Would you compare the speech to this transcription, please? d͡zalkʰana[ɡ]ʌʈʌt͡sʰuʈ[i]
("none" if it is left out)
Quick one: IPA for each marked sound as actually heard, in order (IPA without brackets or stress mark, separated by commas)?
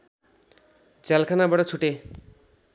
b, e